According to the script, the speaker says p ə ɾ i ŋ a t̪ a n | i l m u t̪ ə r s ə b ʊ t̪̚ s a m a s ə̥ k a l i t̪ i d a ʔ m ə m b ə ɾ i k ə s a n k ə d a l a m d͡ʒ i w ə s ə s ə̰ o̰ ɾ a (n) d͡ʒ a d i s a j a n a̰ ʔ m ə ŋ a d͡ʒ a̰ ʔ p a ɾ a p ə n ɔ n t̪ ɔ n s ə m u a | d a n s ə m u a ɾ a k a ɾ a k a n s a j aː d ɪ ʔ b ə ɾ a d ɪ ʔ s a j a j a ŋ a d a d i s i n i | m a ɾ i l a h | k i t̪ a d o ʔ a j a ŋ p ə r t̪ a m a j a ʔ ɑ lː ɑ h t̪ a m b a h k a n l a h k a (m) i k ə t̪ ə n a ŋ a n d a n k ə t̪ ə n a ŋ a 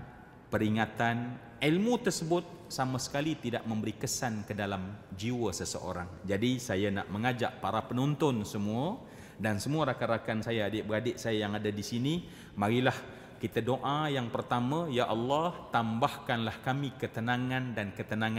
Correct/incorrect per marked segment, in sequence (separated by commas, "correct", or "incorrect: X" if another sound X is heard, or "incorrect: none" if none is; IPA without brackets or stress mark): incorrect: ŋ, correct